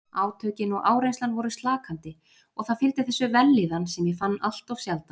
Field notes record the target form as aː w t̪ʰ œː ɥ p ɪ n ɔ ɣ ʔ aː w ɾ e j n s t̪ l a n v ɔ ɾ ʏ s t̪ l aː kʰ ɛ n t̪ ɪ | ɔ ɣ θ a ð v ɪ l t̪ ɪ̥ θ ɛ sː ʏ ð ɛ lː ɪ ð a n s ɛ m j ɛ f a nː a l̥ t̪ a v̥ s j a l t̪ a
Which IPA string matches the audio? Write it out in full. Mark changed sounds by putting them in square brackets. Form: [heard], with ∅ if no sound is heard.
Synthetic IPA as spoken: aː w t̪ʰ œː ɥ [c] ɪ n ɔ ɣ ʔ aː w ɾ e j n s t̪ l a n v ɔ ɾ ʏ s t̪ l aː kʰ [a] n t̪ ɪ | ɔ ɣ θ a ð [f] ɪ l t̪ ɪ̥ θ ɛ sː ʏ [v] ɛ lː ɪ ð a n s ɛ m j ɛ f a nː a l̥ t̪ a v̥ s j a l t̪ a